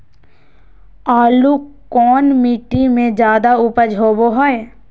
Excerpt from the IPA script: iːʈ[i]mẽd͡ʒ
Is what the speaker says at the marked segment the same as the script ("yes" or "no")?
yes